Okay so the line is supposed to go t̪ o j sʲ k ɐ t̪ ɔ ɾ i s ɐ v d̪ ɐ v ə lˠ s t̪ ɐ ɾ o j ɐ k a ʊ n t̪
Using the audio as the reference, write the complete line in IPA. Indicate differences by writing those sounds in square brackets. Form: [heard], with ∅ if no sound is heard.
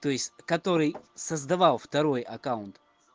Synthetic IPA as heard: t̪ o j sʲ k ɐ t̪ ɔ ɾ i s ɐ [z] d̪ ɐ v [a] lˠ [f] t̪ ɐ ɾ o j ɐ k a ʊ n t̪